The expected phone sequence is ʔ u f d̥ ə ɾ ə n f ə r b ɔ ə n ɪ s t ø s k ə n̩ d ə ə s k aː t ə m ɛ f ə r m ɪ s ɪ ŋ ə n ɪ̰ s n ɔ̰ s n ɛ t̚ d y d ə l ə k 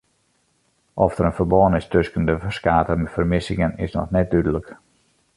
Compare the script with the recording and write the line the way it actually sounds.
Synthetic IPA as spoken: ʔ ɔ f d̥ ə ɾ ə n f ə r b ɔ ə n ɪ s t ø s k ə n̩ d ə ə s k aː t ə m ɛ f ə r m ɪ s ɪ ŋ ə n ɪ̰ s n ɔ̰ x n ɛ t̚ d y d ə l ə k